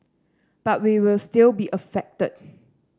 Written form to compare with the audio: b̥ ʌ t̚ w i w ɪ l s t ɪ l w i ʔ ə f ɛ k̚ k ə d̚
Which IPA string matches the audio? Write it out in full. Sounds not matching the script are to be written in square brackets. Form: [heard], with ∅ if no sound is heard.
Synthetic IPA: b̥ [a] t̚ w i w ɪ l s t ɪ l [b] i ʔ ə f ɛ k̚ [t] ə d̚

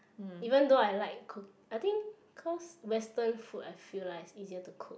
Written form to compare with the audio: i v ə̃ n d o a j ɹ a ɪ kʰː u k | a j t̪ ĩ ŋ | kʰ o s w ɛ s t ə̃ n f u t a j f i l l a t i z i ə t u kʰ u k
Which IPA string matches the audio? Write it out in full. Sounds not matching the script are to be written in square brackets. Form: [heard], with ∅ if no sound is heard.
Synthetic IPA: i v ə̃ n d o a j [l] a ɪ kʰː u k | a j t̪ ĩ ŋ | kʰ [ɔ] s w ɛ s t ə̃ n f u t a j f i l l a [s] i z i ə t u kʰ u k

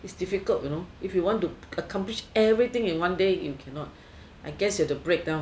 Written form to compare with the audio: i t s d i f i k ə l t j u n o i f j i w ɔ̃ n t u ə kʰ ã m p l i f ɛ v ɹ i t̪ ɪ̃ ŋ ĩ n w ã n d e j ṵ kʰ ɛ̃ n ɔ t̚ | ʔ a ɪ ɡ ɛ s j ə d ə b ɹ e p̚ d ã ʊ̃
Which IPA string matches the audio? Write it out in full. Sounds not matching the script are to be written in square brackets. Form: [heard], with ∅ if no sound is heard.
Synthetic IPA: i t s d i f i k ə l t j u n o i f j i w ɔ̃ n t u ə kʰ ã m p l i [ʃ] ɛ v ɹ i t̪ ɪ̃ ŋ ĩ n w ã n d e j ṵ kʰ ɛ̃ n ɔ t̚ | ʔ a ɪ ɡ ɛ s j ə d ə b ɹ e [k̚] d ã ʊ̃

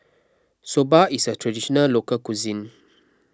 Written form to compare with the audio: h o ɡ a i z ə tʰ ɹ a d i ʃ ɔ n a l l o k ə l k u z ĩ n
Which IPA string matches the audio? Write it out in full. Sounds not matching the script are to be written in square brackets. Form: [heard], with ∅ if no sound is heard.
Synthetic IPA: [s] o [b] a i [s] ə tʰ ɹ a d i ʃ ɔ n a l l o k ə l k u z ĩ n

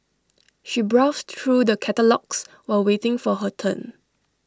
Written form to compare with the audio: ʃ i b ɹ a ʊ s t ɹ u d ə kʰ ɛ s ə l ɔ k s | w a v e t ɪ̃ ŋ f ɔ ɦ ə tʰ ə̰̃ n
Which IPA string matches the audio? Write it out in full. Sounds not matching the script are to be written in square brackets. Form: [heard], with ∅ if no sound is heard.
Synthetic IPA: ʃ i b ɹ a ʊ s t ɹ u d ə kʰ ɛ [t] ə l ɔ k s | w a [w] e t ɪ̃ ŋ f ɔ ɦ ə tʰ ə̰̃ n

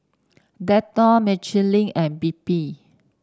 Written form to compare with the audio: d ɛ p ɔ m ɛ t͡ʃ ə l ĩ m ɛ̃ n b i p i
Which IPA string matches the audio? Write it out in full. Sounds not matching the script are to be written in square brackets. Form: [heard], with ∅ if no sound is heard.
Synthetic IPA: d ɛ [t] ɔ m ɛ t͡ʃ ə l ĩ [ŋ] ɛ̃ n b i p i

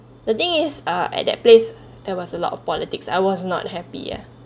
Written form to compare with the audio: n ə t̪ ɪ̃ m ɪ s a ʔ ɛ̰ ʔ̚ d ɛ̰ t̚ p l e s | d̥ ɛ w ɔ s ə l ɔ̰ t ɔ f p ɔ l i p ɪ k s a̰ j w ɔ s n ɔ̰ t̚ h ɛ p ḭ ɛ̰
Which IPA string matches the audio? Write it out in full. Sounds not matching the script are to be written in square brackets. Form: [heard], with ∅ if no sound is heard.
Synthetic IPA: [d] ə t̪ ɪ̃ [ŋ] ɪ s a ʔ ɛ̰ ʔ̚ d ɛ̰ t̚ p l e s | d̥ ɛ w ɔ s ə l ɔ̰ t ɔ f p ɔ l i [t] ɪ k s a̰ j w ɔ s n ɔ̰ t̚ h ɛ p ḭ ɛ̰

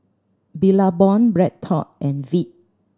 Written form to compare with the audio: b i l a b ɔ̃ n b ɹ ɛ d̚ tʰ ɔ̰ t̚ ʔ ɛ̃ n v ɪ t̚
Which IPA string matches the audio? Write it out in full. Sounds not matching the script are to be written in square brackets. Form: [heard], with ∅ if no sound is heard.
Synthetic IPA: b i l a b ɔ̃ n b ɹ ɛ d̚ tʰ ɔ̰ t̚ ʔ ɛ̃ n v [i] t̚

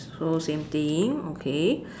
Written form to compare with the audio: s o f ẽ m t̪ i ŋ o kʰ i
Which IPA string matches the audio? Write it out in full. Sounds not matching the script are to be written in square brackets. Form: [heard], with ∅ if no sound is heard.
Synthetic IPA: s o [s] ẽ m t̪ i ŋ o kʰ [e]

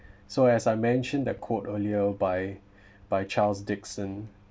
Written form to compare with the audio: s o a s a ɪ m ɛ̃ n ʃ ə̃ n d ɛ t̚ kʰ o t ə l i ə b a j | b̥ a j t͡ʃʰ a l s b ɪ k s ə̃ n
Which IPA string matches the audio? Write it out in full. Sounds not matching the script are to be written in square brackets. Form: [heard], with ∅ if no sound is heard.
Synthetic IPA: s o [ɛ] s a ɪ m ɛ̃ n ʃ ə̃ n d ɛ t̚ kʰ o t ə l i ə b a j | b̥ a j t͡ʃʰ a l s [d] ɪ k s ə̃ n

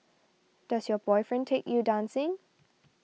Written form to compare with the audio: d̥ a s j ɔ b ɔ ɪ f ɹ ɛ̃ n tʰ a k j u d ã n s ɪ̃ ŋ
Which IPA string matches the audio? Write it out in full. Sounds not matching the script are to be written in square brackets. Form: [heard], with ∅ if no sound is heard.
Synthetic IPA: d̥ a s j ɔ b ɔ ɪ f ɹ ɛ̃ n tʰ [e] k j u d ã n s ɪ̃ ŋ

